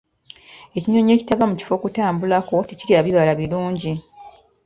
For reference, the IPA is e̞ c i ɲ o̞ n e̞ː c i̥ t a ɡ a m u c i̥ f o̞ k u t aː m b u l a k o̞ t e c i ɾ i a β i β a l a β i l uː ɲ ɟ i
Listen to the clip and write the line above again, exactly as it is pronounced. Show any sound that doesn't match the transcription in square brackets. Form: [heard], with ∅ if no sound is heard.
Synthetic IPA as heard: e̞ c i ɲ o̞ [ɲ] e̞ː c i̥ t a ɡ a m u c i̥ f o̞ k u t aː m b u l a k o̞ t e c i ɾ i a β i β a l a β i l uː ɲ ɟ i